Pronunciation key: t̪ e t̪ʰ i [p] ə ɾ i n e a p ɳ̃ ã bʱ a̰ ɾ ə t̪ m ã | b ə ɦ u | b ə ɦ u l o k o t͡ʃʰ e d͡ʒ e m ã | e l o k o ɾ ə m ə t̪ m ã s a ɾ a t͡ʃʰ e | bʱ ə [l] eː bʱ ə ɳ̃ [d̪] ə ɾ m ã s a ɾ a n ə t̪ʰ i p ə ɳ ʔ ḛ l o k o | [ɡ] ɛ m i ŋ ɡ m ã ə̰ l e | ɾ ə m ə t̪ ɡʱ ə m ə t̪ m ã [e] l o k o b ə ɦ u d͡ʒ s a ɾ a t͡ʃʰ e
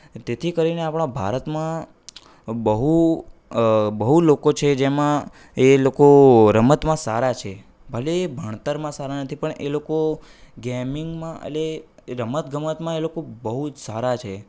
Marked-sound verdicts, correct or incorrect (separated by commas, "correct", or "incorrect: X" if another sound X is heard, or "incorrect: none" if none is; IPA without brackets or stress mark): incorrect: k, correct, incorrect: t̪, correct, correct